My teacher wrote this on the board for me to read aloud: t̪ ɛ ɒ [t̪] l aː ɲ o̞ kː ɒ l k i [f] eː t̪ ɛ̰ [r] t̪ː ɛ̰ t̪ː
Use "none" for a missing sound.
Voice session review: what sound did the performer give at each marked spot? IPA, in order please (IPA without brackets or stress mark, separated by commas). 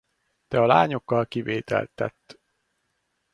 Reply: none, v, l